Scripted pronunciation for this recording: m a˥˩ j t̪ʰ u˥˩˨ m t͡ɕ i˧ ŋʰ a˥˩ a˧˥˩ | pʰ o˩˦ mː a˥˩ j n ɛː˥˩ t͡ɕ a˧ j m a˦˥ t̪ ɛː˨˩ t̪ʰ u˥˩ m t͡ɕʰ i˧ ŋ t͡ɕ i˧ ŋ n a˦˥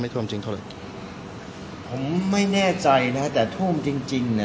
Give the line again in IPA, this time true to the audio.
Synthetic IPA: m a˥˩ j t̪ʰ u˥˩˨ m t͡ɕ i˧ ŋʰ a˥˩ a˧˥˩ | pʰ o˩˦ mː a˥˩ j n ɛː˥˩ t͡ɕ a˧ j n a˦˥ t̪ ɛː˨˩ t̪ʰ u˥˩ m t͡ɕ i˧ ŋ t͡ɕ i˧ ŋ n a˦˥

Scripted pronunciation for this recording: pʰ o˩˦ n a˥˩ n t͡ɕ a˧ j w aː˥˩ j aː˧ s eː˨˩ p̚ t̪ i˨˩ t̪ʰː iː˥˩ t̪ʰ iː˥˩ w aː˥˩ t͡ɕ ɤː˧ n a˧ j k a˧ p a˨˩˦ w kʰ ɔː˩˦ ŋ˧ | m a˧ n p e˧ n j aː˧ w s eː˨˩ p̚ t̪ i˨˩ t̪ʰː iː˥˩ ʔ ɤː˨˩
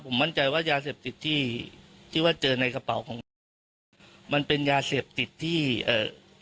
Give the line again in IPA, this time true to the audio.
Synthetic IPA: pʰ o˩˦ m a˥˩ n t͡ɕ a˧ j w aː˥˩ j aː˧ s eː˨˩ p̚ t̪ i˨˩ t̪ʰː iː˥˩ t̪ʰ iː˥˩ w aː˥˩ t͡ɕ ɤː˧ n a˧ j k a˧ p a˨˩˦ w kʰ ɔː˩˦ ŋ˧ | m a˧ n p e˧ n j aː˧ s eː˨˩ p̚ t̪ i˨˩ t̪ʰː iː˥˩ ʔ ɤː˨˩

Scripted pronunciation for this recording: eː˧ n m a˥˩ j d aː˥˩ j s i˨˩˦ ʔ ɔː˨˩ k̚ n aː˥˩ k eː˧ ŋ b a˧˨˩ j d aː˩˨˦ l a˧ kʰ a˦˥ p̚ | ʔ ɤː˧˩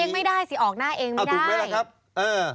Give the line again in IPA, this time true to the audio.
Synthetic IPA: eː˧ ŋ m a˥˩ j d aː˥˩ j s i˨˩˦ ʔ ɔː˨˩ k̚ n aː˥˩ ʔ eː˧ ŋ m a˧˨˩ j d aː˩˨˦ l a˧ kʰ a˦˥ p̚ | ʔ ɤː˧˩

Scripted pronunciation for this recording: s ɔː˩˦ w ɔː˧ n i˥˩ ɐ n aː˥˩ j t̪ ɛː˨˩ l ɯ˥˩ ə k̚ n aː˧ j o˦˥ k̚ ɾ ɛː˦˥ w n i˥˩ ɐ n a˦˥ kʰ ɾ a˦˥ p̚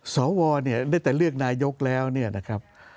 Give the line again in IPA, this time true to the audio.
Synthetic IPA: s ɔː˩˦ w ɔː˧ n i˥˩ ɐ n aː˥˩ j t̪ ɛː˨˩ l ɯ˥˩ ə k̚ n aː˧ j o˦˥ k̚ l ɛː˦˥ w n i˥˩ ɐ n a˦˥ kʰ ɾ a˦˥ p̚

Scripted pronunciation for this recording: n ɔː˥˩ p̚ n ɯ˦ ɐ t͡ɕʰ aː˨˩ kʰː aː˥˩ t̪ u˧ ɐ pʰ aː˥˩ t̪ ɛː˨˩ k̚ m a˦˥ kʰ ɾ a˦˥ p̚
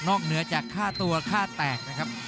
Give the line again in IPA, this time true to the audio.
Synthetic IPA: n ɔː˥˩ k̚ n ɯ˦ ɐ t͡ɕ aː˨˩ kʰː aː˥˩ t̪ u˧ ɐ kʰ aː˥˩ t̪ ɛː˨˩ k̚ n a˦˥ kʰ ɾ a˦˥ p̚

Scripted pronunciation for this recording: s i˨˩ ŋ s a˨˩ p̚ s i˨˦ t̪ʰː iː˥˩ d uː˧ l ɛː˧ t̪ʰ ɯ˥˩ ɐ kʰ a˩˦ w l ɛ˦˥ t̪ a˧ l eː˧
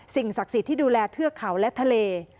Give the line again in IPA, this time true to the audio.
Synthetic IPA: s i˨˩ ŋ s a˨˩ k̚ s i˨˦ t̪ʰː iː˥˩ d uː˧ l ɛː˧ t̪ʰ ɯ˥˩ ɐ kʰ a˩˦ w l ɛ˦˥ t̪ʰ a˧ l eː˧

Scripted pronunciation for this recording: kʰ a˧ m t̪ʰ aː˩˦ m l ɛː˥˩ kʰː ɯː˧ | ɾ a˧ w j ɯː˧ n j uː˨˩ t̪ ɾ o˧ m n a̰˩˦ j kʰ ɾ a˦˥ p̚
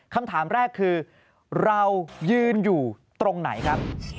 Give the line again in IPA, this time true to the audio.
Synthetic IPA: kʰ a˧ m t̪ʰ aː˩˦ m ɾ ɛː˥˩ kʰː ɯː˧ | ɾ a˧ w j ɯː˧ n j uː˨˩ t̪ ɾ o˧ ŋ n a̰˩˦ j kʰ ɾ a˦˥ p̚

